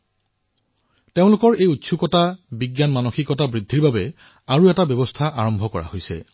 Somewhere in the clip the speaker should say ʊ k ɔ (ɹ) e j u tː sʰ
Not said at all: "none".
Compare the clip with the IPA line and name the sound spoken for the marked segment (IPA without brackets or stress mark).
ɹ